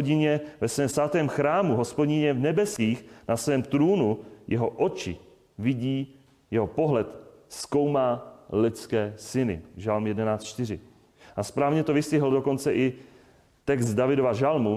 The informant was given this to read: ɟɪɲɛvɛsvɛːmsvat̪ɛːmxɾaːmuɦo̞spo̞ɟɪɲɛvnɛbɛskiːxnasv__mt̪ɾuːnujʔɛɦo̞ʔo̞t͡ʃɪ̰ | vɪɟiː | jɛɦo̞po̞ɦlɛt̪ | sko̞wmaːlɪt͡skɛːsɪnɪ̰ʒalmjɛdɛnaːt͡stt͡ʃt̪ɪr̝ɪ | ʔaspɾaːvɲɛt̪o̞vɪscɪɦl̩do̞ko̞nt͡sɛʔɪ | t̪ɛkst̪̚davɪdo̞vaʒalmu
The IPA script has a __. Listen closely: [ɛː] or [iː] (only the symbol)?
ɛː